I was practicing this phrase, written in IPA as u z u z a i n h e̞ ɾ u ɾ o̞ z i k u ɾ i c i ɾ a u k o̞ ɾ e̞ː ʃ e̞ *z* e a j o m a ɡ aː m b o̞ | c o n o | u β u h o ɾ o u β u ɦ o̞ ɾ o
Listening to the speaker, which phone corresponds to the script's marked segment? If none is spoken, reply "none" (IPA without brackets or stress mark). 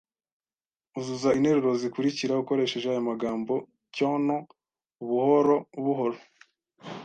ʒ